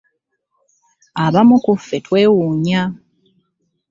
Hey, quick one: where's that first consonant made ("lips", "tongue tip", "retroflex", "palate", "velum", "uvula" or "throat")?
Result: lips